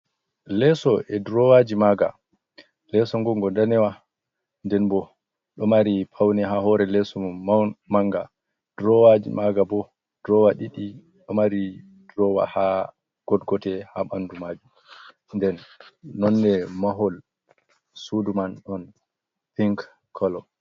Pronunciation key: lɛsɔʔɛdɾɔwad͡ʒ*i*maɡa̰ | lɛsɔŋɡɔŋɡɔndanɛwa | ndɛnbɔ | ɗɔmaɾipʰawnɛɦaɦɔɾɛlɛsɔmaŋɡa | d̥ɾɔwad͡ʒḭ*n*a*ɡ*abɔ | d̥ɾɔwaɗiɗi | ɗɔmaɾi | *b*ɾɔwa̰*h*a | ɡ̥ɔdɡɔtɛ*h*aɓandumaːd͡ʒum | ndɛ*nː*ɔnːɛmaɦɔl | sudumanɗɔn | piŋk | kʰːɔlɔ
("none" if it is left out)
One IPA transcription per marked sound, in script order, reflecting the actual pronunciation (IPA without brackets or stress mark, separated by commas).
i, m, ɡ, d, h, h, nː